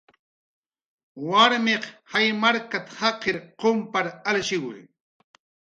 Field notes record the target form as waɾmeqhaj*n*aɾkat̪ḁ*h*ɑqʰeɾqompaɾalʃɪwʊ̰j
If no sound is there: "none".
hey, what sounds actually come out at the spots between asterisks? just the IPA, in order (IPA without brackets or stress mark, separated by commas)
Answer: m, h